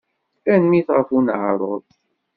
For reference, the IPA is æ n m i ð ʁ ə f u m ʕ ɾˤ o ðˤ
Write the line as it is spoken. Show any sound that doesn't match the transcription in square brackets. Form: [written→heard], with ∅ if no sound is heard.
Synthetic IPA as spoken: æ n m i [ð→θ] ʁ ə f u [m→n] ʕ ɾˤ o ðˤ